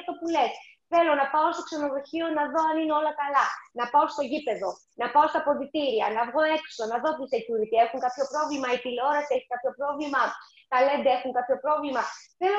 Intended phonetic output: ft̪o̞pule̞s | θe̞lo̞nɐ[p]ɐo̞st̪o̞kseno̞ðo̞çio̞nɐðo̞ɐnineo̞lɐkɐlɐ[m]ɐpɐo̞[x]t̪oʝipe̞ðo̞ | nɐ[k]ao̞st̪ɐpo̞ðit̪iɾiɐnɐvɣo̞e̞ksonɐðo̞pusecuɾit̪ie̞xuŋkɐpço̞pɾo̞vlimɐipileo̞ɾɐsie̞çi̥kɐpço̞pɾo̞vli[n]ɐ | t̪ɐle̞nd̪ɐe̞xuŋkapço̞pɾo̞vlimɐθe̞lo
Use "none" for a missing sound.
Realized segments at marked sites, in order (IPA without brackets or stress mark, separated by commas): p, n, s, p, m